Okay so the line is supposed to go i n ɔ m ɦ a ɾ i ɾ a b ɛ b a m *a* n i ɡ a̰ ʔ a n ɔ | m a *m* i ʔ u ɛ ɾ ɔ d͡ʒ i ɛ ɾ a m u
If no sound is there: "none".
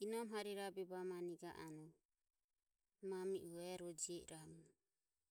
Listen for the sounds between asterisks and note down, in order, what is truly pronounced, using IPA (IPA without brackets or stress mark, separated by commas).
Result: a, m